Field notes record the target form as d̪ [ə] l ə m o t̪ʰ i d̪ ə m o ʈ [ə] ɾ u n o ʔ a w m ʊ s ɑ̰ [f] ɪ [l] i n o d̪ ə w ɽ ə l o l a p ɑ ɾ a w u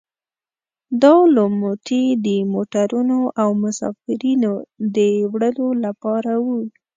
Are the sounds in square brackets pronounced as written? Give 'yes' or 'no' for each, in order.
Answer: no, no, yes, no

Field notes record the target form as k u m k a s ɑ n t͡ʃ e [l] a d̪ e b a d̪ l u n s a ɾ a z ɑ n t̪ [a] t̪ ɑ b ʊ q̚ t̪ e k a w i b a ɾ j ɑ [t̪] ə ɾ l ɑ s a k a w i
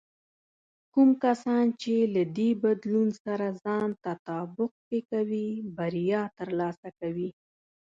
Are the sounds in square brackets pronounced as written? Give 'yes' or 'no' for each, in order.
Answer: yes, yes, yes

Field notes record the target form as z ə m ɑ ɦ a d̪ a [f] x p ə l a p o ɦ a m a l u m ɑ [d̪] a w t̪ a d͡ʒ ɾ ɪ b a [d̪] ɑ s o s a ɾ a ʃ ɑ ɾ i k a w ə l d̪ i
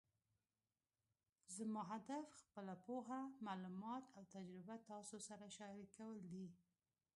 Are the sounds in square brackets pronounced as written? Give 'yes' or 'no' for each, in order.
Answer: yes, no, no

